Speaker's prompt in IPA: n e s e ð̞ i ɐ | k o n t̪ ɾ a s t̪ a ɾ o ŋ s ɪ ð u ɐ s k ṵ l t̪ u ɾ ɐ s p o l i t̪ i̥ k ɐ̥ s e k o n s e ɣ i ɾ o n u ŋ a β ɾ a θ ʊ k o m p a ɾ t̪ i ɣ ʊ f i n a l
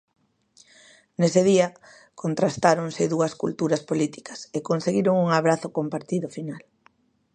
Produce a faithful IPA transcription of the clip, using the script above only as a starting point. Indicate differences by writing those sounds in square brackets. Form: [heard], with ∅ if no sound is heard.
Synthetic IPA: n e s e ð̞ i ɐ | k o n t̪ ɾ a s t̪ a ɾ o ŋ s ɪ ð u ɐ s k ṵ l t̪ u ɾ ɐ s p o l i t̪ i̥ k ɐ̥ s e k o n s e ɣ i ɾ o [ŋ] u ŋ a β ɾ a θ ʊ k o m p a ɾ t̪ i [ð] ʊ f i n a l